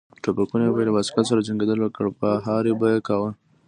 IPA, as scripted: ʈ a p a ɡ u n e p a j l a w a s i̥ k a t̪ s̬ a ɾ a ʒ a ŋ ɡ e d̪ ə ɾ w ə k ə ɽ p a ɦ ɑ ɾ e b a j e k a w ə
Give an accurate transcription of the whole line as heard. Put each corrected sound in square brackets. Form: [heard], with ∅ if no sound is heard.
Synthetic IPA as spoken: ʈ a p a [k] u n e [b] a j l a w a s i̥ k a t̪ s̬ a ɾ a [d͡ʒ] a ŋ ɡ e d̪ ə [l] w ə k ə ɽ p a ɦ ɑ ɾ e b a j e k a w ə